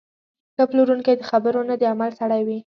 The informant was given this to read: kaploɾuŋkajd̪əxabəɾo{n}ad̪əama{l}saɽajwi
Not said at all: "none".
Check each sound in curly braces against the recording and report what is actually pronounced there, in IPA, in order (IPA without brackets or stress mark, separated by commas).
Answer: n, l